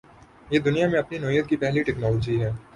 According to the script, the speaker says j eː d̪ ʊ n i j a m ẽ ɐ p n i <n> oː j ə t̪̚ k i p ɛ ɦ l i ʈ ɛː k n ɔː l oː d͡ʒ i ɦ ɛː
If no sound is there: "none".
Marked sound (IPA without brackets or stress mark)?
n